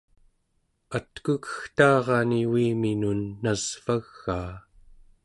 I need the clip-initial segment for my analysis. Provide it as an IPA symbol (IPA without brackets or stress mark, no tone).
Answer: a